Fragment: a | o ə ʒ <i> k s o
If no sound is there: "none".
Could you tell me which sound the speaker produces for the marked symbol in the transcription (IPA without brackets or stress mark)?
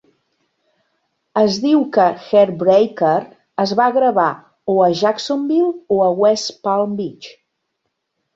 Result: a